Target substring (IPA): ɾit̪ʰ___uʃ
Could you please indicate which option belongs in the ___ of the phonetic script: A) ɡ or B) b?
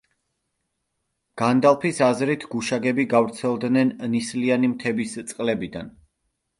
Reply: A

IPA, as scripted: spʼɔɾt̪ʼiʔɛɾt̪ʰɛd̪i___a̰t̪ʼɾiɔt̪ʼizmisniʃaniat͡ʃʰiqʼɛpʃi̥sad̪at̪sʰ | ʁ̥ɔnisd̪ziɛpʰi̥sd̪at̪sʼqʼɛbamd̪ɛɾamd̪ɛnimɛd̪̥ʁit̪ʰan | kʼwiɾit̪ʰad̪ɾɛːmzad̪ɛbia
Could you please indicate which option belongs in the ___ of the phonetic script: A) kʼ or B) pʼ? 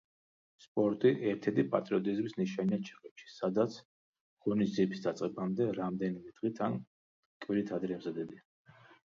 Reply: B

